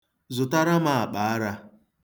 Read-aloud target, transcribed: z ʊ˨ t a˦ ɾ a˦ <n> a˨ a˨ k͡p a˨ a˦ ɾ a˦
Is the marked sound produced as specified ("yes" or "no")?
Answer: no